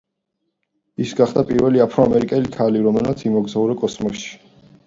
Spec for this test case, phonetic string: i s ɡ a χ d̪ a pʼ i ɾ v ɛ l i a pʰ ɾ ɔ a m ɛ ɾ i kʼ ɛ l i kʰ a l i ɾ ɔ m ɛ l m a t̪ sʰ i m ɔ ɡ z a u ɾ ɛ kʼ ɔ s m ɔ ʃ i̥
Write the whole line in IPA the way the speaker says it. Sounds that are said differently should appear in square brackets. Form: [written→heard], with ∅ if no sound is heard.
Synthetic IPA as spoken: i s ɡ a χ d̪ a pʼ i ɾ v ɛ l i a pʰ ɾ ɔ a m ɛ ɾ i kʼ ɛ l i kʰ a l i ɾ ɔ m ɛ l m a t̪ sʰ i m ɔ ɡ z a u ɾ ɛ kʼ ɔ s m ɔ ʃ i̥

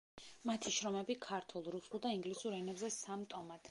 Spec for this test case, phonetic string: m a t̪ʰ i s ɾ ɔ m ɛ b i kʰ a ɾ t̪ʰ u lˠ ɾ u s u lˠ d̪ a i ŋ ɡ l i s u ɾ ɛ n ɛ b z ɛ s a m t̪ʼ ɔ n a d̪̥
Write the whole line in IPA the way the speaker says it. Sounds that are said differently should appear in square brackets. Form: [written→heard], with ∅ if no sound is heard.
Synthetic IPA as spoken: m a t̪ʰ i [s→ʃ] ɾ ɔ m ɛ b i kʰ a ɾ t̪ʰ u lˠ ɾ u s u lˠ d̪ a i ŋ ɡ l i s u ɾ ɛ n ɛ b z ɛ s a m t̪ʼ ɔ [n→m] a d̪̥

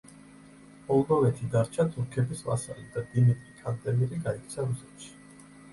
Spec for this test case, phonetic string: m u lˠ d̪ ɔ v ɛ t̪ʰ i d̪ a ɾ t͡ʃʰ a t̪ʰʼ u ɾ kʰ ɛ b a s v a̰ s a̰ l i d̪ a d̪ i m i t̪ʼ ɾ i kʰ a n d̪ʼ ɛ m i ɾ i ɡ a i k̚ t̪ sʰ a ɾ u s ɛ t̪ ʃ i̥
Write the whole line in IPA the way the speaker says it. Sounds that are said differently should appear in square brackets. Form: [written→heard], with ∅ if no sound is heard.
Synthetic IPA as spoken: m [u→ɔ] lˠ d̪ ɔ v ɛ t̪ʰ i d̪ a ɾ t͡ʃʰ a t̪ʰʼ u ɾ kʰ ɛ b [a→i] s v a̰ s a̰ l i d̪ a d̪ i m i t̪ʼ ɾ i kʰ a n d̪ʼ ɛ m i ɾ i ɡ a i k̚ t̪ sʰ a ɾ u s ɛ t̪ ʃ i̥

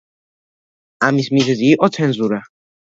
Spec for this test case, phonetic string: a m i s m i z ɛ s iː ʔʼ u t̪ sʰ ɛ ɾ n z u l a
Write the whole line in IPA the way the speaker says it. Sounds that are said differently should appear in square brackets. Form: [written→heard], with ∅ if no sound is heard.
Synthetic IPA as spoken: a m i s m i z ɛ [s→z] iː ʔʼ [u→ɔ] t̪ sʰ ɛ [ɾ→∅] n z u [l→ɾ] a

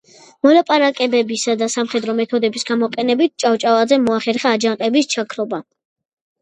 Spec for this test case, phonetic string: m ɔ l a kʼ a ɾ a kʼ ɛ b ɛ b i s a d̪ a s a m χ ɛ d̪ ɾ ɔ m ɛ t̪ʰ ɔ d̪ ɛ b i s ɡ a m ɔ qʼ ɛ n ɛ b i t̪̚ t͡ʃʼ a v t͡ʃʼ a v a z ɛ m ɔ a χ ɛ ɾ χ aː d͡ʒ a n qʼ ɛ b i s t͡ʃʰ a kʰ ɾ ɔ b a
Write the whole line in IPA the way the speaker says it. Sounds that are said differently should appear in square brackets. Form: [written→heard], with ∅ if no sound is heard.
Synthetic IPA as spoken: m ɔ l a [kʼ→pʼ] a ɾ a kʼ ɛ b ɛ b i s a d̪ a s a m χ ɛ d̪ ɾ ɔ m ɛ t̪ʰ ɔ d̪ ɛ b i s ɡ a m ɔ qʼ ɛ n ɛ b i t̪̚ t͡ʃʼ a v t͡ʃʼ a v a z ɛ m ɔ a χ ɛ ɾ χ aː d͡ʒ a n qʼ ɛ b i s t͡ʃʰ a kʰ ɾ ɔ b a

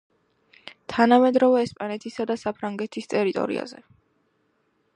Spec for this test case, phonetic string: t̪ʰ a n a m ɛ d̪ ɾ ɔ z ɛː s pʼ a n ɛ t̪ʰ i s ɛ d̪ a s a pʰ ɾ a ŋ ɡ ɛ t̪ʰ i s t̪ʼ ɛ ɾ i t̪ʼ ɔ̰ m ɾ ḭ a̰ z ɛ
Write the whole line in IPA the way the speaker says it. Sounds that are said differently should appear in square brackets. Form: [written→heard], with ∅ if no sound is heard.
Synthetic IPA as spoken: t̪ʰ a n a m ɛ d̪ ɾ ɔ [z→v] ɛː s pʼ a n ɛ t̪ʰ i s [ɛ→a] d̪ a s a pʰ ɾ a ŋ ɡ ɛ t̪ʰ i s t̪ʼ ɛ ɾ i t̪ʼ ɔ̰ [m→∅] ɾ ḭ a̰ z ɛ

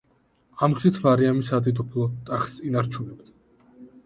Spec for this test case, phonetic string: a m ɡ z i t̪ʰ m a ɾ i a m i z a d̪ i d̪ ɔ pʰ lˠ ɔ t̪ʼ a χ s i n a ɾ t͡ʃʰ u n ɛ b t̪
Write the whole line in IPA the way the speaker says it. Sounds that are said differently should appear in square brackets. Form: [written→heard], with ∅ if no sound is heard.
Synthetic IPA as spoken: a m ɡ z i t̪ʰ m a ɾ i a m i [z→s] a d̪ i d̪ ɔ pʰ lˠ ɔ t̪ʼ a χ s i n a ɾ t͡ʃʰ u n ɛ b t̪

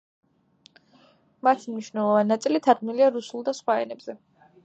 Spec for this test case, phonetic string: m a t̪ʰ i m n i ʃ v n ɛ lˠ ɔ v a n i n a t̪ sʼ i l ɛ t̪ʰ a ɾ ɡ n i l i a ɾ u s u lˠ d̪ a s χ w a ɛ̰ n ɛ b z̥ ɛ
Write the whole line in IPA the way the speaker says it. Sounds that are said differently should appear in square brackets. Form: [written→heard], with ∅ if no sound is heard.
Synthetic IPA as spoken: m a t̪ʰ i m n i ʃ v n ɛ lˠ ɔ v a n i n a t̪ sʼ i l [ɛ→i] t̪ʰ a ɾ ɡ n i l i a ɾ u s u lˠ d̪ a s χ w a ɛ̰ n ɛ b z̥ ɛ

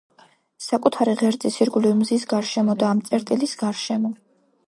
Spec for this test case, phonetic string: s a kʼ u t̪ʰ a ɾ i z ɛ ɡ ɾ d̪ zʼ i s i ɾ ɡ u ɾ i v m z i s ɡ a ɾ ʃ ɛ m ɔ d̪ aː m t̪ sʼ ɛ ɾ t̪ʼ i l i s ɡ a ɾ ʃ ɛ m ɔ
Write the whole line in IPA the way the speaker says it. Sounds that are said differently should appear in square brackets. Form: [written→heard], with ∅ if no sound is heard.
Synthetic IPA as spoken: s a kʼ u t̪ʰ a ɾ i [z→ʁ] ɛ [ɡ→∅] ɾ d̪ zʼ i s i ɾ ɡ u [ɾ→l] i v m z i s ɡ a ɾ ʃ ɛ m ɔ d̪ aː m t̪ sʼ ɛ ɾ t̪ʼ i l i s ɡ a ɾ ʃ ɛ m ɔ

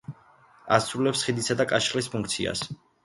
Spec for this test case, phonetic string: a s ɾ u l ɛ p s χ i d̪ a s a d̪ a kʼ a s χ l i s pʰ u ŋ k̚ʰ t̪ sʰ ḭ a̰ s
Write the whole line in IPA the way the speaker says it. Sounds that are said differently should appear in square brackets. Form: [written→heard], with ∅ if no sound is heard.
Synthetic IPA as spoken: a s ɾ u l ɛ p s χ i d̪ [a→i] s a d̪ a kʼ a [s→ʃ] χ l i s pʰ u ŋ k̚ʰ t̪ sʰ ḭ a̰ s

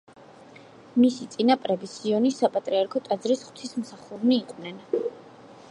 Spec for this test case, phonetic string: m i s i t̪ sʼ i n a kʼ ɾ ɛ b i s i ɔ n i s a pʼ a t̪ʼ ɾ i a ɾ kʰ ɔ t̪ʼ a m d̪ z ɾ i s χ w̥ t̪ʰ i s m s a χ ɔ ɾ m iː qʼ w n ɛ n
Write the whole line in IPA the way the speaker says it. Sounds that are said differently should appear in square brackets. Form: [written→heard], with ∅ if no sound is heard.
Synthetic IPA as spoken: m i s i t̪ sʼ i n a [kʼ→pʼ] ɾ ɛ b i s i ɔ n i s a pʼ a t̪ʼ ɾ i a ɾ kʰ ɔ t̪ʼ a [m→∅] d̪ z ɾ i s χ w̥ t̪ʰ i s m s a χ [ɔ→u] ɾ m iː qʼ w n ɛ n

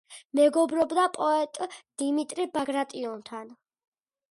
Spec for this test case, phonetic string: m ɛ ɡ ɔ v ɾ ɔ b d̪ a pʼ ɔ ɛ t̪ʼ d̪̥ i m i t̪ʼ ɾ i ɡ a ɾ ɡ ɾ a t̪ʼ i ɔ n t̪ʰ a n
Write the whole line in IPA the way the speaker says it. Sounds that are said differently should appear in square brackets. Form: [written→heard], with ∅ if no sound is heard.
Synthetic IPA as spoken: m ɛ ɡ ɔ [v→b] ɾ ɔ b d̪ a pʼ ɔ ɛ t̪ʼ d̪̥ i m i t̪ʼ ɾ i [ɡ→b] a [ɾ→∅] ɡ ɾ a t̪ʼ i ɔ n t̪ʰ a n

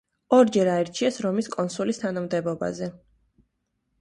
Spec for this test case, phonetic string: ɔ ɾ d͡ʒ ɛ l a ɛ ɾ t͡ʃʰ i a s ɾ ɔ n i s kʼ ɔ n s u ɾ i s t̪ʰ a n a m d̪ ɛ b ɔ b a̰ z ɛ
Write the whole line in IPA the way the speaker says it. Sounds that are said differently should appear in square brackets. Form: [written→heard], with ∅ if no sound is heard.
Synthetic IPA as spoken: ɔ ɾ d͡ʒ ɛ [l→ɾ] a ɛ ɾ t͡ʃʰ i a s ɾ ɔ [n→m] i s kʼ ɔ n s u [ɾ→l] i s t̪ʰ a n a m d̪ ɛ b ɔ b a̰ z ɛ

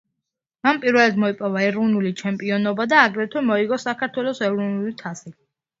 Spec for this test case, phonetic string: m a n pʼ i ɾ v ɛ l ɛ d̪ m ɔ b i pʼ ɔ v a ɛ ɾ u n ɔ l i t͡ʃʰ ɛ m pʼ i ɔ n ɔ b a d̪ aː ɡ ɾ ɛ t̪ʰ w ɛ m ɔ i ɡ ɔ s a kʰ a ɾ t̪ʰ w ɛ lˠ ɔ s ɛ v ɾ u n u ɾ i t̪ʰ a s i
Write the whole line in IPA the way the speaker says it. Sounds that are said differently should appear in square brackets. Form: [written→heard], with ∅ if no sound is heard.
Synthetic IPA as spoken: m a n pʼ i ɾ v ɛ l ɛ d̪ m ɔ [b→∅] i pʼ ɔ v a ɛ ɾ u n [ɔ→u] l i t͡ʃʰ ɛ m pʼ i ɔ n ɔ b a d̪ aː ɡ ɾ ɛ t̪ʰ w ɛ m ɔ i ɡ ɔ s a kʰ a ɾ t̪ʰ w ɛ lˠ ɔ s ɛ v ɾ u n u [ɾ→l] i t̪ʰ a s i

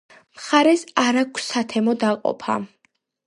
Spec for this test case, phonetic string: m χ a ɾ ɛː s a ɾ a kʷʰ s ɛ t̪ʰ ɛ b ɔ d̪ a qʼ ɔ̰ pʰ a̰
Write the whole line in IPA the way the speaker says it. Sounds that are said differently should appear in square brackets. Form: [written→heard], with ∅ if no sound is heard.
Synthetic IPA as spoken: m χ a ɾ [ɛː→ɛ] s a ɾ a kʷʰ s [ɛ→a] t̪ʰ ɛ [b→m] ɔ d̪ a qʼ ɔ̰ pʰ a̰

